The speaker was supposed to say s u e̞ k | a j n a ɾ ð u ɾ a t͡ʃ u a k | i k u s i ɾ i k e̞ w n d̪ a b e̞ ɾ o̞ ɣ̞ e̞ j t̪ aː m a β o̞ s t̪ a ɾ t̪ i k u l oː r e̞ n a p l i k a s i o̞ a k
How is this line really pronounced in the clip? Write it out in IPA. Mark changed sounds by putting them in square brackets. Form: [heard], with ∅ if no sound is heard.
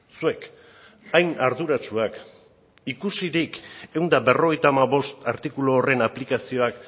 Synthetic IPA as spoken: s u e̞ k | a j n a ɾ ð u ɾ a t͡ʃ u a k | i k u s i ɾ i k e̞ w n d̪ a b e̞ [r] o̞ ɣ̞ e̞ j t̪ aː m a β o̞ s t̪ a ɾ t̪ i k u l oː r e̞ n a p l i k a s i o̞ a k